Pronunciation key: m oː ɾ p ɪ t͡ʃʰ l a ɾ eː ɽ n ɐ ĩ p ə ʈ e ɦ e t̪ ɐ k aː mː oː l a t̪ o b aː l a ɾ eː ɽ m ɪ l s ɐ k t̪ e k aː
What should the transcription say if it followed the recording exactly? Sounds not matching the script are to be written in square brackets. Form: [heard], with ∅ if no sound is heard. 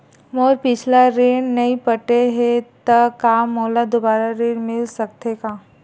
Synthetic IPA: m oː ɾ p ɪ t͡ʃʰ l a ɾ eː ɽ n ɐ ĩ p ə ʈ e ɦ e t̪ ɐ k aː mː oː l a [d̪] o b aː [ɾ] a ɾ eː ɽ m ɪ l s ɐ k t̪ e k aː